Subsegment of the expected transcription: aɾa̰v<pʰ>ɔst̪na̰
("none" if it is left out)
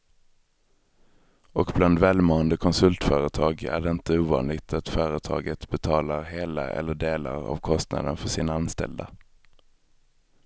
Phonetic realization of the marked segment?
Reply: kʰ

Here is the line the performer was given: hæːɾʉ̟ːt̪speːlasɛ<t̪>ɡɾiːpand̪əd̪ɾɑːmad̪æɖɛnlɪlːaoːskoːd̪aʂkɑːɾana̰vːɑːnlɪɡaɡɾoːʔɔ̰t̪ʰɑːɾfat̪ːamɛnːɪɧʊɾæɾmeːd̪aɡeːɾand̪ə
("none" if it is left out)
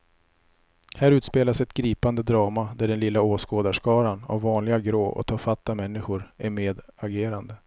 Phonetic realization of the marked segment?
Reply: t̪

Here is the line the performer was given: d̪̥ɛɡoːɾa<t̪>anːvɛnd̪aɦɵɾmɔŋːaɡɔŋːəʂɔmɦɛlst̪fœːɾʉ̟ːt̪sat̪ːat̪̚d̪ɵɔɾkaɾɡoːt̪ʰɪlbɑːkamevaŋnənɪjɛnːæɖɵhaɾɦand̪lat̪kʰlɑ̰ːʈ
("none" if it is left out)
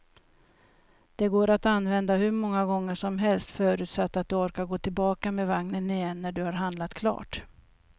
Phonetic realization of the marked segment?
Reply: t̪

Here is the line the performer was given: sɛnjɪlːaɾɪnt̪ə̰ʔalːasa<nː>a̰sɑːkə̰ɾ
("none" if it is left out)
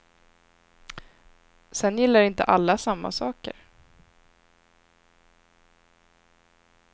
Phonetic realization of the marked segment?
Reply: mː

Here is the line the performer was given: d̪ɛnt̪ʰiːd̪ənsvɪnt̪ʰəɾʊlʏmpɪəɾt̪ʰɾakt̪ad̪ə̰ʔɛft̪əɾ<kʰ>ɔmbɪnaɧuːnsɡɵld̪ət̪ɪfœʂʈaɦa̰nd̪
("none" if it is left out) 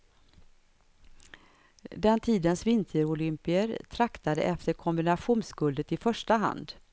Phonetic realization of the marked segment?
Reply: kʰ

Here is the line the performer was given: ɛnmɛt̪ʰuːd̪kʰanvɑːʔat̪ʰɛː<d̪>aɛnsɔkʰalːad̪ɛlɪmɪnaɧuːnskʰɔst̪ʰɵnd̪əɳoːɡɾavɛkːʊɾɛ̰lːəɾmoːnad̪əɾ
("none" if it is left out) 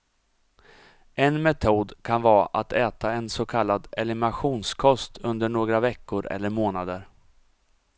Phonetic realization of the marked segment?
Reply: t̪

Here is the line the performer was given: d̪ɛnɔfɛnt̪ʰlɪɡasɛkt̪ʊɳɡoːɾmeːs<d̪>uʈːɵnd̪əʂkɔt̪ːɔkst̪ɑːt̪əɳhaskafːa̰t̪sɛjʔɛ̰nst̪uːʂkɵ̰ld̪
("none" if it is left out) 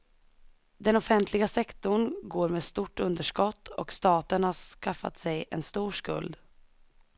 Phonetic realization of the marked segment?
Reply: t̪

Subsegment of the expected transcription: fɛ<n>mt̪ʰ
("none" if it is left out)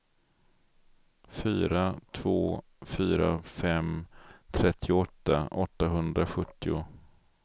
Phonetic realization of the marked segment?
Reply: none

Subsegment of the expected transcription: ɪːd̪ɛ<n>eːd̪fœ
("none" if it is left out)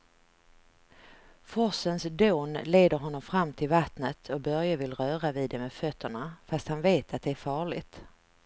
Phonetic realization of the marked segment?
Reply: m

